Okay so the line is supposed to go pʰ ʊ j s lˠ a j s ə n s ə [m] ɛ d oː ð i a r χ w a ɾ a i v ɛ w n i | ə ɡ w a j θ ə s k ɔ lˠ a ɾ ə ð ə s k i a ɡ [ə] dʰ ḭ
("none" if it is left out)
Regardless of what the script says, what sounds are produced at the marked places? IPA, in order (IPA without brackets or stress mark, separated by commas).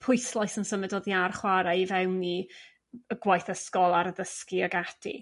m, a